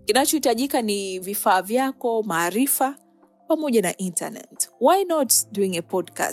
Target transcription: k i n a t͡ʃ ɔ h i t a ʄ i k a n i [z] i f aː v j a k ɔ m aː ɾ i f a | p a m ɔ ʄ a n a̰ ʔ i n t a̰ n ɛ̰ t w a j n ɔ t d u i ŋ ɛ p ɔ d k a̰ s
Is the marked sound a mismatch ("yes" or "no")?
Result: yes